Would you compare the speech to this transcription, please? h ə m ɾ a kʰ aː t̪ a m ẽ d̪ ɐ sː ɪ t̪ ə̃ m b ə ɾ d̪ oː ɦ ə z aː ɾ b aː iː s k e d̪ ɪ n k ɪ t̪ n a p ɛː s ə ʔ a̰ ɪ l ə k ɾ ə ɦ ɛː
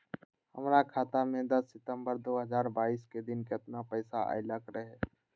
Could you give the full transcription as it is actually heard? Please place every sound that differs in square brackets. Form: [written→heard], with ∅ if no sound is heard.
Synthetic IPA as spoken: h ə m ɾ a kʰ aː t̪ a m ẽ d̪ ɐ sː ɪ t̪ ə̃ m b ə ɾ d̪ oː ɦ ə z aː ɾ b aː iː s k e d̪ ɪ n k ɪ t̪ n a p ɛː s [ə→a] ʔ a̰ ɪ l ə k ɾ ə ɦ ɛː